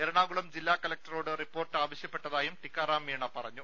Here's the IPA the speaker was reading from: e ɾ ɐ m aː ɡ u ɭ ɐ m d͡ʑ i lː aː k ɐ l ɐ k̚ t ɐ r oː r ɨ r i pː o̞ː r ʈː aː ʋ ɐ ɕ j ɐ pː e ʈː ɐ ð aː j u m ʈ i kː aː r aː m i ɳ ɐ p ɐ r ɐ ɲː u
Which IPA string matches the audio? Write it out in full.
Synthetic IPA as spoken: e ɾ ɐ ɳ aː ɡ u ɭ ɐ m d͡ʑ i lː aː k ɐ l ɐ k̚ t ɐ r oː ɽ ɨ r i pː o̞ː r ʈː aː ʋ ɐ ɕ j ɐ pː e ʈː ɐ ð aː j u m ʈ i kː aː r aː m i ɳ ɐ p ɐ r ɐ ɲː u